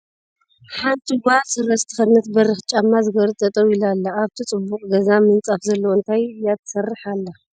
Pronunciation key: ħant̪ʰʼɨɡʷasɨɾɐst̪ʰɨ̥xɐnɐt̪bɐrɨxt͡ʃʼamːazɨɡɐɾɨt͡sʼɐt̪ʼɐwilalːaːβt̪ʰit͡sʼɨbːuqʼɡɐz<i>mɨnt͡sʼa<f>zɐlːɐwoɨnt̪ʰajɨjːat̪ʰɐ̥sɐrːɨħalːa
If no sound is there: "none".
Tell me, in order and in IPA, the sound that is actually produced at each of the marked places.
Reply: a, f

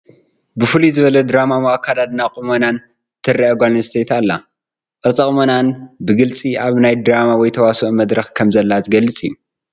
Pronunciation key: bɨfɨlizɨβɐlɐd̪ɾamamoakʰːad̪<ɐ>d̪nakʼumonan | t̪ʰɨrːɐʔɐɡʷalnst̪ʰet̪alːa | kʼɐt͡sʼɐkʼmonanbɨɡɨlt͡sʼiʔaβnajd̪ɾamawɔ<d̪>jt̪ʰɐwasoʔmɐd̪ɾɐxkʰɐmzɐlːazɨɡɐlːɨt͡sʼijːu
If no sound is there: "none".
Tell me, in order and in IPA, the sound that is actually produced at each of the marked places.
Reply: a, none

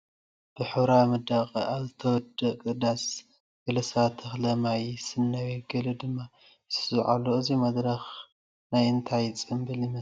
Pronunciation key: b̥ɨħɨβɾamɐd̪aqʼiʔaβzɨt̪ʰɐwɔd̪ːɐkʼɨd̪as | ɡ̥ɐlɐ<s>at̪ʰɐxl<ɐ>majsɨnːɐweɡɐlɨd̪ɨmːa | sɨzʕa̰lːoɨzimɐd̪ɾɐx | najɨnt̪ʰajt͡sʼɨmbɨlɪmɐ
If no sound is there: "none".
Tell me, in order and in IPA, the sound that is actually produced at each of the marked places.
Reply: s, ɐ

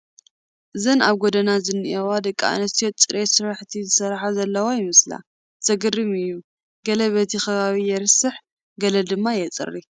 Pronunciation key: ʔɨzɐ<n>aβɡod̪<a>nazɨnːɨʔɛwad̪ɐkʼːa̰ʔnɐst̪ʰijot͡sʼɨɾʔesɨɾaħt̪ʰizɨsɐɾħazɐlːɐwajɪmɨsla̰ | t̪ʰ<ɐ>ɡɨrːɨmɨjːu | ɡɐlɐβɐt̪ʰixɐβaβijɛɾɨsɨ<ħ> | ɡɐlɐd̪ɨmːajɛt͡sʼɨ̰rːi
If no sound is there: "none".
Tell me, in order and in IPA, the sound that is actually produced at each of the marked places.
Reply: n, ɐ, ɐ, ħ

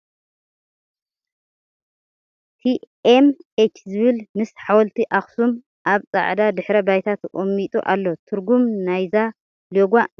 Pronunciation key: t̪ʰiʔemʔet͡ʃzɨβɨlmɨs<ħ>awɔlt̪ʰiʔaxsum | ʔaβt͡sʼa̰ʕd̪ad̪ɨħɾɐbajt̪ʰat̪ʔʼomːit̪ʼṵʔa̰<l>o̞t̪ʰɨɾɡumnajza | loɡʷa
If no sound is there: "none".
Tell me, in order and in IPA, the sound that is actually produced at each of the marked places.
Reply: ħ, lː

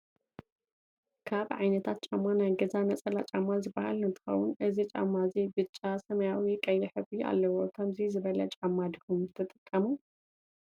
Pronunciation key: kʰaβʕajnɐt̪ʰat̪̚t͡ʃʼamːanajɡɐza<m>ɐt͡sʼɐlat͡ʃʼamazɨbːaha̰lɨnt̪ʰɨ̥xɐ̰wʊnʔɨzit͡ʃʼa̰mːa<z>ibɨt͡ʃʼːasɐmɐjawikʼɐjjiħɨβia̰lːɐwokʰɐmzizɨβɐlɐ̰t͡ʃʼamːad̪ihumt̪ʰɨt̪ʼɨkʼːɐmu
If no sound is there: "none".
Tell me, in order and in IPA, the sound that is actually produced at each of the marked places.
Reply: n, z

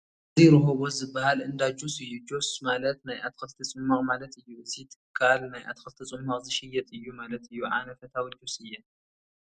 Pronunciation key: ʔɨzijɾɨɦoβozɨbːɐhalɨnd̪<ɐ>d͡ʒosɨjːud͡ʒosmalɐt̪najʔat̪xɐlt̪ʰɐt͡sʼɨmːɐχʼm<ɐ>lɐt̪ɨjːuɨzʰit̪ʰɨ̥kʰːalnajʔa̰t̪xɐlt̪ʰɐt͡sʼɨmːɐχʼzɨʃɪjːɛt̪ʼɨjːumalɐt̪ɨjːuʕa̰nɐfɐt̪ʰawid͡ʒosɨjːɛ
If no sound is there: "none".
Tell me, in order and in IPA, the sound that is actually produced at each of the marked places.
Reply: a, a

